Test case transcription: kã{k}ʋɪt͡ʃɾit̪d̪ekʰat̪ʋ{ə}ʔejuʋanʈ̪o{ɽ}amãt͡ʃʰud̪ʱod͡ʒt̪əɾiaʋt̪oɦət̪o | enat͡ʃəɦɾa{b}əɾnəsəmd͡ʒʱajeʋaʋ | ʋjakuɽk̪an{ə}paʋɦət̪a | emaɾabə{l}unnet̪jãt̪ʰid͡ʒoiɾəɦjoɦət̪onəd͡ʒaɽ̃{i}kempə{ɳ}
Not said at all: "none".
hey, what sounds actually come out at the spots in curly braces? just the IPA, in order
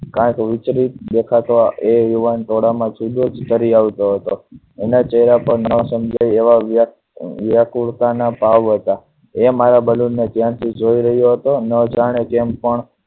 k, a, ɽ, p, a, l, e, ɳ

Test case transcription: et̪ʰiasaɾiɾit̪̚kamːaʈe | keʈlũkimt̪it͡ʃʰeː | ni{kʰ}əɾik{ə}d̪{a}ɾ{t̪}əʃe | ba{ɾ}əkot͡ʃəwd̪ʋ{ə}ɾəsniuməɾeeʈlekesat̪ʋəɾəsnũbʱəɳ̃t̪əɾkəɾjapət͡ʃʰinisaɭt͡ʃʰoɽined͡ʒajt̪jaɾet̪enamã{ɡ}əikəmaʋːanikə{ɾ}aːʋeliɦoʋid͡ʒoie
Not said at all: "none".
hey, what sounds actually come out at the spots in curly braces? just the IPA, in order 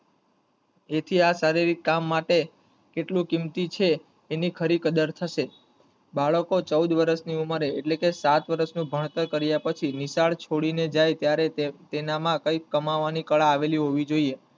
kʰ, ə, ə, t̪ʰ, ɭ, ə, k, ɭ

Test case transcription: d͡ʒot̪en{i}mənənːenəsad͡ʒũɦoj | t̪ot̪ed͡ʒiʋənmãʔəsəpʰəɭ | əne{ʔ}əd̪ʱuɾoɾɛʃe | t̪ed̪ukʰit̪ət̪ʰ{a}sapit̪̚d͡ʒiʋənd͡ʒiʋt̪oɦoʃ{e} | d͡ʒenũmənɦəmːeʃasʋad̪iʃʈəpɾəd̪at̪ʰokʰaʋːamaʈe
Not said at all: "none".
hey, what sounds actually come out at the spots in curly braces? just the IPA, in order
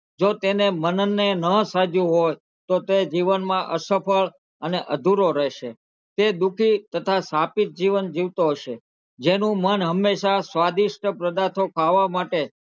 e, ʔ, a, e

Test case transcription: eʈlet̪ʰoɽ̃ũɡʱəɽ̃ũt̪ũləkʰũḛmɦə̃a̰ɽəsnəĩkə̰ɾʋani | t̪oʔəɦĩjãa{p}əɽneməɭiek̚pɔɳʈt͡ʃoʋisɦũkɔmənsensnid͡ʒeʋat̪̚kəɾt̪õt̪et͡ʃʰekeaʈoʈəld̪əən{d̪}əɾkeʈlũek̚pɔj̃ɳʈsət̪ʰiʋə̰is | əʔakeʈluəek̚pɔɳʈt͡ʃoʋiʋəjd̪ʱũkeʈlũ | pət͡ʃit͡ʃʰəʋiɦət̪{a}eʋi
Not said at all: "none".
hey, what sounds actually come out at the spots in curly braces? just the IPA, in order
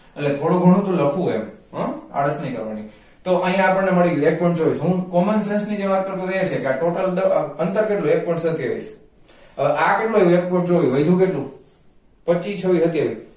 p, t̪, i

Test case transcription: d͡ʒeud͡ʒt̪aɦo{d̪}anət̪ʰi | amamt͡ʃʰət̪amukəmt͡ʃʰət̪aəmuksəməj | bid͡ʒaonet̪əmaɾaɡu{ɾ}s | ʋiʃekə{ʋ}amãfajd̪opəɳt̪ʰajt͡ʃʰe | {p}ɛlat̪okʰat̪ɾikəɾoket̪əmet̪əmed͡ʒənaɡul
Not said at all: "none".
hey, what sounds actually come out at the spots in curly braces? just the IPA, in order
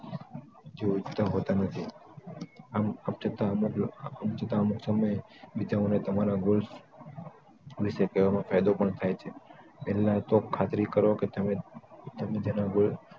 t̪, l, ʋ, p

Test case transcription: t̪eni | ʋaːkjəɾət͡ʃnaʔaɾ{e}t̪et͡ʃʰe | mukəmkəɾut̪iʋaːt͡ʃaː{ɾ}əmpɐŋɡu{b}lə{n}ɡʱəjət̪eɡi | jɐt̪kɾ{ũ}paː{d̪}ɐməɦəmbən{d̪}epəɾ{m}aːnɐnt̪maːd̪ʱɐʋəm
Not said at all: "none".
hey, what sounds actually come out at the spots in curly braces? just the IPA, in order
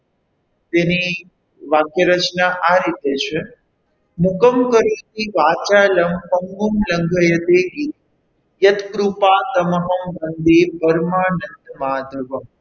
i, l, m, ŋ, u, t̪, d̪, m

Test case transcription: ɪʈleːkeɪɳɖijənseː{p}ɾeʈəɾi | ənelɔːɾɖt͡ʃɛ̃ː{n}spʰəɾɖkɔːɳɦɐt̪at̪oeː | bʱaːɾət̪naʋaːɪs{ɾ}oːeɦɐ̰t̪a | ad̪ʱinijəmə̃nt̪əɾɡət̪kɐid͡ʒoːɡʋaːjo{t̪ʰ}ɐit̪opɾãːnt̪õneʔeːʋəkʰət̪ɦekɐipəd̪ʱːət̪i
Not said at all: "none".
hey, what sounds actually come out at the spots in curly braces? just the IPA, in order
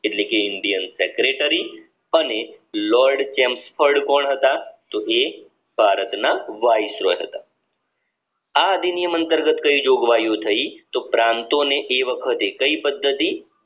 k, m, ɾ, t̪ʰ

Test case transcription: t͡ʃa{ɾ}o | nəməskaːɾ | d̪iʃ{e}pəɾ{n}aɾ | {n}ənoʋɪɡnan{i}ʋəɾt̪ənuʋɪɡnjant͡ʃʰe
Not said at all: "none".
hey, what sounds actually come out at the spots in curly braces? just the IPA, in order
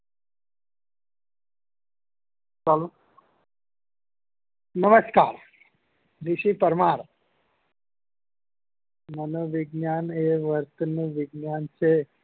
l, i, m, m, e

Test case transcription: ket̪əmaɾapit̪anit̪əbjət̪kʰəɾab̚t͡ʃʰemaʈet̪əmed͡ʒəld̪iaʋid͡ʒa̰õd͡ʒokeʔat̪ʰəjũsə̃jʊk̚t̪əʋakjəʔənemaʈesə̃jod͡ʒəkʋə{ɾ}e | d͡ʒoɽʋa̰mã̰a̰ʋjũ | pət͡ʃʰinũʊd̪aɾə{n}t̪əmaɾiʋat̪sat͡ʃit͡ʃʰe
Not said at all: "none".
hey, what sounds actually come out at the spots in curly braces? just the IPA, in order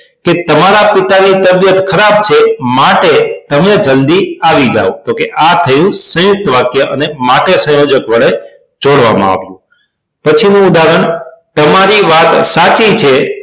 ɭ, ɳ

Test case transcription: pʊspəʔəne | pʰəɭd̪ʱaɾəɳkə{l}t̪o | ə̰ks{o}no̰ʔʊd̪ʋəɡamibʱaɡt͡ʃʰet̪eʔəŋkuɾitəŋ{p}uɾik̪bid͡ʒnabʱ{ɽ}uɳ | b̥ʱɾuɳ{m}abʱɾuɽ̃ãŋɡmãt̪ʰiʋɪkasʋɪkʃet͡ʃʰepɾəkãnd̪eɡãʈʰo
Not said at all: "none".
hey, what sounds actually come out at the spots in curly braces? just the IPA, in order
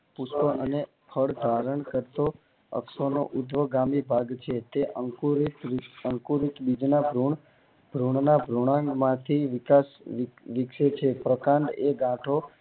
ɾ, o, k, ɾ, n

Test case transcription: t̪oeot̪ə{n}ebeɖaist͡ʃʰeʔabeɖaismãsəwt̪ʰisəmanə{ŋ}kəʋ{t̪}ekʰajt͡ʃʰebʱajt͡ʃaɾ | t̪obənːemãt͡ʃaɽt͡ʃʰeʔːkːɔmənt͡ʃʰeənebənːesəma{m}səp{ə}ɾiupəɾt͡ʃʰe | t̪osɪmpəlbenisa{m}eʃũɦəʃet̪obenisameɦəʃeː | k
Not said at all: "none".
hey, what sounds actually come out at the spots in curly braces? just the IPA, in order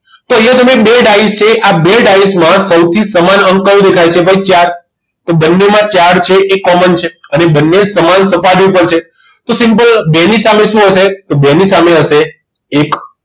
m, ŋ, d̪, n, a, m

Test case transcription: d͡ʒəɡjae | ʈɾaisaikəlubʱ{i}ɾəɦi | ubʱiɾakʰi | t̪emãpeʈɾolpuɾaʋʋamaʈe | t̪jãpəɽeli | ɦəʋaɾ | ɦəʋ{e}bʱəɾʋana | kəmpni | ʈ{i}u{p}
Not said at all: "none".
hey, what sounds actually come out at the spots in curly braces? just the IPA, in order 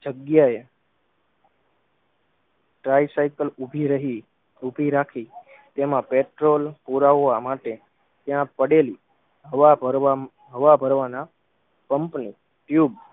i, a, j, b

